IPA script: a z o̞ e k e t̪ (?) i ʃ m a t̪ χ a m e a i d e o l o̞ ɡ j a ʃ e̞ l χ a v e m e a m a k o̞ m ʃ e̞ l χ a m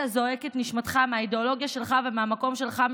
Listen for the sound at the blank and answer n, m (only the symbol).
n